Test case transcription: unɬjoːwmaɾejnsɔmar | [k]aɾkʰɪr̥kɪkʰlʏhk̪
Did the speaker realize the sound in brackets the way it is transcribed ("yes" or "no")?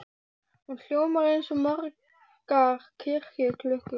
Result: yes